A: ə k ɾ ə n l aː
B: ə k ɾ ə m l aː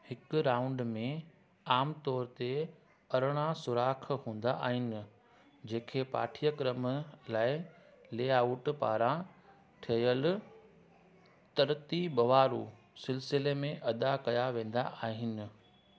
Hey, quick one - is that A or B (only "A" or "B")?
B